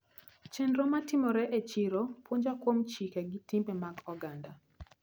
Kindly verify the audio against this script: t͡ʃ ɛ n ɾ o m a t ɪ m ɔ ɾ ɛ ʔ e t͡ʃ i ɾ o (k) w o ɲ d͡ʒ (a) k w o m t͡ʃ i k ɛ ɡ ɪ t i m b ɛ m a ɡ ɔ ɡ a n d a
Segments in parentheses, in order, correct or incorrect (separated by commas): incorrect, correct